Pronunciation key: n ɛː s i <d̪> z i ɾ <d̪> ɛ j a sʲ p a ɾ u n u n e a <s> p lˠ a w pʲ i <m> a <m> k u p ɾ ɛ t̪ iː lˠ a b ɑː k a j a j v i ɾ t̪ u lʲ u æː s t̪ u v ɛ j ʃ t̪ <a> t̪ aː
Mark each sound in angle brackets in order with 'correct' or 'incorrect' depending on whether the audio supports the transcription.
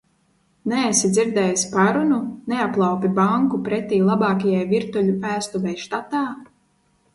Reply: correct, correct, incorrect: none, incorrect: b, incorrect: ŋ, correct

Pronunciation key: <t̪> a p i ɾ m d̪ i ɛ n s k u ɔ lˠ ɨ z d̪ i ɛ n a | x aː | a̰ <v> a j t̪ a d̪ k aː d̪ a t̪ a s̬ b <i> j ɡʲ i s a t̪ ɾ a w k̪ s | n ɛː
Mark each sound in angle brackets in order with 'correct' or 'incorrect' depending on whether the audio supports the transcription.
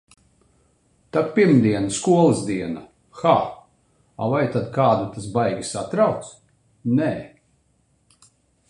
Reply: correct, correct, incorrect: a

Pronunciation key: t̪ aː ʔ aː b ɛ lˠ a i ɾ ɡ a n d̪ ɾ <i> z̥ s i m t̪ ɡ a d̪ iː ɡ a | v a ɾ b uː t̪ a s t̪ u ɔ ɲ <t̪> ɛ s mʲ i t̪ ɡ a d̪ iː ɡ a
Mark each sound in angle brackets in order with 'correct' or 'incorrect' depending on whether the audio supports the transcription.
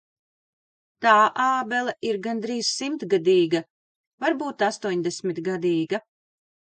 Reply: incorrect: iː, incorrect: d̪

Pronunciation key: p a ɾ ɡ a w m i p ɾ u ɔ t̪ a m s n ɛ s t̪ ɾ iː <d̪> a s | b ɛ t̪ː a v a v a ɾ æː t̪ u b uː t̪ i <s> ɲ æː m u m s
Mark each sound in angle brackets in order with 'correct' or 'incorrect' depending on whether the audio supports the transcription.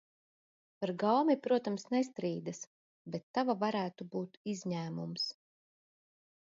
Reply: correct, incorrect: z

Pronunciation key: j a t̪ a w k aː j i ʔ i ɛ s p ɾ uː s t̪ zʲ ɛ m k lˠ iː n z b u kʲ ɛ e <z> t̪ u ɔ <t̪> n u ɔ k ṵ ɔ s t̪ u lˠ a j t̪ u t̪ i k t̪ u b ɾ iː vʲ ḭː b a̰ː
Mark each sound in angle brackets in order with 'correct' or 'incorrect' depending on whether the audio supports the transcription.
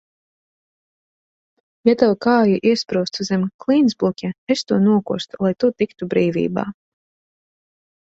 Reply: incorrect: s, incorrect: none

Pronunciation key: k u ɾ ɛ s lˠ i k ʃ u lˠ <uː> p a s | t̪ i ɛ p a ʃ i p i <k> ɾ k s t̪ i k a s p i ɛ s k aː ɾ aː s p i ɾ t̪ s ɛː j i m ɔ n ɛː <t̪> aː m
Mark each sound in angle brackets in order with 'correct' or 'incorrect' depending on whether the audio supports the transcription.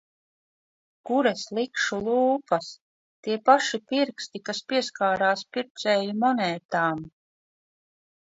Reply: correct, incorrect: none, correct

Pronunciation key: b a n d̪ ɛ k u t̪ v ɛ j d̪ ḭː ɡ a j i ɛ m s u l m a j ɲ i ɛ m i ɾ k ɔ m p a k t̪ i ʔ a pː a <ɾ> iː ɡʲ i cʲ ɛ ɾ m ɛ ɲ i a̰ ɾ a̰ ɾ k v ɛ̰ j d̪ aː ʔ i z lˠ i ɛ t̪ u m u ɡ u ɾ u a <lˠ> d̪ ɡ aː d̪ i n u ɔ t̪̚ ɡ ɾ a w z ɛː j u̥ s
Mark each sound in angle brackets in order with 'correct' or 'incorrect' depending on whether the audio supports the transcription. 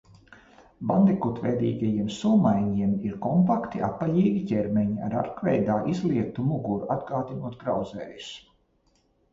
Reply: incorrect: ʎ, incorrect: none

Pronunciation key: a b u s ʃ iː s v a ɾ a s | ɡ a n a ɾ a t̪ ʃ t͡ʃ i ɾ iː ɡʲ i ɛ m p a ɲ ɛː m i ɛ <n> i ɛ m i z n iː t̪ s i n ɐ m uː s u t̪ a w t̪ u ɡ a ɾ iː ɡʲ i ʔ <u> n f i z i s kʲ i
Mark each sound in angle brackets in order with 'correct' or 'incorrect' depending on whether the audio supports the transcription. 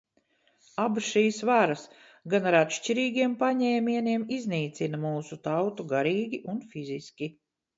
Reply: correct, correct

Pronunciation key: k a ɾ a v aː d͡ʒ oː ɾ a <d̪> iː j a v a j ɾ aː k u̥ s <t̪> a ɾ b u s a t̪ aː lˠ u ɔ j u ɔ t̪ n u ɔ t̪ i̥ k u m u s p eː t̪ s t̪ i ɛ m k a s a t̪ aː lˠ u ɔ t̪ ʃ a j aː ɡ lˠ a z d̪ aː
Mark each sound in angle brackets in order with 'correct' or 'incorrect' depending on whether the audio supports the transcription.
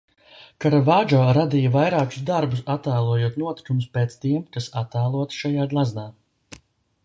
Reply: correct, incorrect: d̪

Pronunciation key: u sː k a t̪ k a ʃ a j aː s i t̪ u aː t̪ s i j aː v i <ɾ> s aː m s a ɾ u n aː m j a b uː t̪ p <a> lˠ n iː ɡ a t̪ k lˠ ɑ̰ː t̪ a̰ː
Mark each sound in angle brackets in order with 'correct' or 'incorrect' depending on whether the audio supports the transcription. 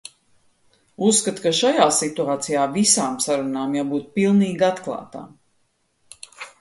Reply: incorrect: none, incorrect: i

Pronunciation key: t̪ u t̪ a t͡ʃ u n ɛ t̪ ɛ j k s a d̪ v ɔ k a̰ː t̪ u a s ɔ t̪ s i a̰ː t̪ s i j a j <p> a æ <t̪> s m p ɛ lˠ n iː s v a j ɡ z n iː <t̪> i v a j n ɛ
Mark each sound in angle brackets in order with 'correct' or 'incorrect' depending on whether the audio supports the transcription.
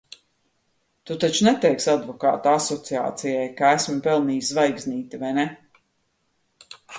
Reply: incorrect: k, incorrect: none, correct

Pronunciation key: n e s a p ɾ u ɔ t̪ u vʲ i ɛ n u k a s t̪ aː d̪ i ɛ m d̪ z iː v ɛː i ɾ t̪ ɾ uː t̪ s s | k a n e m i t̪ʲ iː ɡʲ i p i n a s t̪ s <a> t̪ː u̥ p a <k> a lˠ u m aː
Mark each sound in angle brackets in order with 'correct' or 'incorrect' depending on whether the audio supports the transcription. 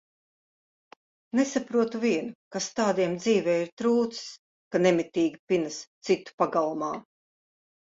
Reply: incorrect: i, incorrect: ɡ

